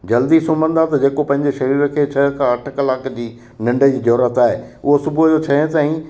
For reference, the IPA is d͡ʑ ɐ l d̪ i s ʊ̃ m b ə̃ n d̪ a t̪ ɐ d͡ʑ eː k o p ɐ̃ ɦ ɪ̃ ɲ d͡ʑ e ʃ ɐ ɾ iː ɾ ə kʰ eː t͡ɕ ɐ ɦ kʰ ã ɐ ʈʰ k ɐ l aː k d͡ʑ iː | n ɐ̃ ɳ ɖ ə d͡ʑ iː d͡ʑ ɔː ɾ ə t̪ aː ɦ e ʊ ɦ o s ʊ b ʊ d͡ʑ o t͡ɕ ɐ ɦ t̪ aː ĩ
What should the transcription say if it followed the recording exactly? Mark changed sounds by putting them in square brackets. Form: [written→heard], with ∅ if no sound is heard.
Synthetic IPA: d͡ʑ ɐ l d̪ i s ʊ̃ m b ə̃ n d̪ a t̪ ɐ d͡ʑ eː k o p ɐ̃ ɦ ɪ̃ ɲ d͡ʑ e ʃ ɐ ɾ iː ɾ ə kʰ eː [t͡ɕ→t͡ɕʰ] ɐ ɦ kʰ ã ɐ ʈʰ k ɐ l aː k d͡ʑ iː | n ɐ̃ ɳ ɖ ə d͡ʑ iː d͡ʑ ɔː ɾ ə t̪ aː ɦ e ʊ ɦ o s ʊ b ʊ d͡ʑ o [t͡ɕ→t͡ɕʰ] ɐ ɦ t̪ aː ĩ

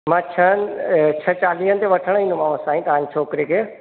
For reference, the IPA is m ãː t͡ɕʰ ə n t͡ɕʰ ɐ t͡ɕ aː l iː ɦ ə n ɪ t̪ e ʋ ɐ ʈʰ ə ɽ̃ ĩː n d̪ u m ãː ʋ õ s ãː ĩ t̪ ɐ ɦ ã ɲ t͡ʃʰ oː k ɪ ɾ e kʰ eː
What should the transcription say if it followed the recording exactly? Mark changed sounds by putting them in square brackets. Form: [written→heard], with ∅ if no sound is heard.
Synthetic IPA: m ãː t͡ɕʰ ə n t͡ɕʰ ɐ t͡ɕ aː l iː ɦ ə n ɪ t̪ e ʋ ɐ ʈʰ ə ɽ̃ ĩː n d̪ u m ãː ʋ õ s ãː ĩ t̪ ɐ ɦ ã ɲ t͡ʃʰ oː k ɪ ɾ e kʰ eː

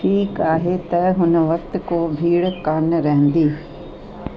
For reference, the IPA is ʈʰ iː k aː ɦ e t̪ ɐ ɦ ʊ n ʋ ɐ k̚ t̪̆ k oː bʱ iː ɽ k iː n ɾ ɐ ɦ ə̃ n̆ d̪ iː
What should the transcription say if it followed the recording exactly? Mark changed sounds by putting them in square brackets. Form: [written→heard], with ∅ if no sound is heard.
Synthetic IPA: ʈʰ iː k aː ɦ e t̪ ɐ ɦ ʊ n ʋ ɐ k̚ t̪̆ k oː bʱ iː ɽ k [iː→aː] n ɾ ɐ ɦ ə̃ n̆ d̪ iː

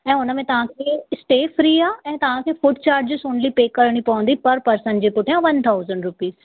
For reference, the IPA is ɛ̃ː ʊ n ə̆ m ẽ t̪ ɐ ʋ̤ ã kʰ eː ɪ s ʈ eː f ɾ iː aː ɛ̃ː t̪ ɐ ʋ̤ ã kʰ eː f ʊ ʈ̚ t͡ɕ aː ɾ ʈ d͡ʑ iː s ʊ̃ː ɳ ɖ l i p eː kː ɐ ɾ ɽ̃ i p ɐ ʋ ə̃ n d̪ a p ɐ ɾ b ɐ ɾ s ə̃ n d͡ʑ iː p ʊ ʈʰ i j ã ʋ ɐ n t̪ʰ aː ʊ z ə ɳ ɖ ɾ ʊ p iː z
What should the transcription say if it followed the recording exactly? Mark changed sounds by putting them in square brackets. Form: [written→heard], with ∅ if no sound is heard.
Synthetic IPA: ɛ̃ː ʊ n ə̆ m ẽ t̪ ɐ ʋ̤ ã kʰ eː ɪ s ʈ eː f ɾ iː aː ɛ̃ː t̪ ɐ ʋ̤ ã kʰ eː f ʊ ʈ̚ t͡ɕ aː ɾ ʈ d͡ʑ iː s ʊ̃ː ɳ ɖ l i p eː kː ɐ ɾ ɽ̃ i p ɐ ʋ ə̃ n d̪ [a→i] p ɐ ɾ [b→p] ɐ ɾ s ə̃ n d͡ʑ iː p ʊ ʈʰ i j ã ʋ ɐ n t̪ʰ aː ʊ z ə ɳ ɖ ɾ ʊ p iː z

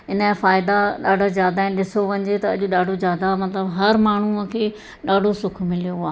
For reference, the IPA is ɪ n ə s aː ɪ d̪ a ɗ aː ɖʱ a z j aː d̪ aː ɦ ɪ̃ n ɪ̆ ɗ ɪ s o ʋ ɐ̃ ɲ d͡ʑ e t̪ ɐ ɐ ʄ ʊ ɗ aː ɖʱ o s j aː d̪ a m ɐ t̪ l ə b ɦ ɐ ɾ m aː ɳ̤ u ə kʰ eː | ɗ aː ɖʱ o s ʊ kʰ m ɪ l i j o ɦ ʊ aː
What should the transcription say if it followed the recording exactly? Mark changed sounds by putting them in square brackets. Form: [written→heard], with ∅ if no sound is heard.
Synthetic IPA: ɪ n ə [s→f] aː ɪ d̪ a ɗ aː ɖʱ a z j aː d̪ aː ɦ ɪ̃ n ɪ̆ ɗ ɪ s o ʋ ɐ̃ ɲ d͡ʑ e t̪ ɐ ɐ ʄ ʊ ɗ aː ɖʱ o [s→z] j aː d̪ a m ɐ t̪ l ə b ɦ ɐ ɾ m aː ɳ̤ u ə kʰ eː | ɗ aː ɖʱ o s ʊ kʰ m ɪ l i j o ɦ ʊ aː

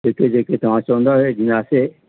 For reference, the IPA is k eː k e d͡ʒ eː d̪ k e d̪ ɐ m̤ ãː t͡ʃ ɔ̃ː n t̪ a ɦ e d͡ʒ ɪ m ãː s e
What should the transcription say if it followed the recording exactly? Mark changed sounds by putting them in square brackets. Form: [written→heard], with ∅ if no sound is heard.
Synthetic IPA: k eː k e d͡ʒ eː [d̪→∅] k e [d̪→t̪] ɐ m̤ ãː t͡ʃ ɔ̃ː n [t̪→d̪] a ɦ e d͡ʒ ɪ [m→n] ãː s e

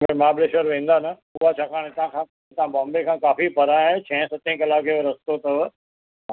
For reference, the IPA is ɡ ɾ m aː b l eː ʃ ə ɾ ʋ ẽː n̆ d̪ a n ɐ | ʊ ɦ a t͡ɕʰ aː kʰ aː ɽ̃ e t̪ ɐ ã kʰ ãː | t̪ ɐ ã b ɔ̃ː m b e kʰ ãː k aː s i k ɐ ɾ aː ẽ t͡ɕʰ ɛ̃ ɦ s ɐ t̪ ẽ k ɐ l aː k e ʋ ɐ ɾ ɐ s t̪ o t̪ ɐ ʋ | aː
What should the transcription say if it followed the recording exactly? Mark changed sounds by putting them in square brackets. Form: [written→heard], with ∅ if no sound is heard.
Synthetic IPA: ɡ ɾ m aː b l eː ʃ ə ɾ ʋ ẽː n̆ d̪ a n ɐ | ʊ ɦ a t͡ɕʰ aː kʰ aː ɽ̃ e t̪ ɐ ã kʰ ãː | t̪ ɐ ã b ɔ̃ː m b e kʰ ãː k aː [s→f] i [k→p] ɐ ɾ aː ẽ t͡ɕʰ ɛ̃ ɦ s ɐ t̪ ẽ k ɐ l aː k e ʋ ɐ ɾ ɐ s t̪ o t̪ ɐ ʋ | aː

